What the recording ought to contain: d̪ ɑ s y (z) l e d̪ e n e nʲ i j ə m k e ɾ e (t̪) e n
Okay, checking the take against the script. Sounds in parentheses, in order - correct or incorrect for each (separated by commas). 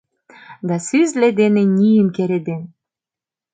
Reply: correct, incorrect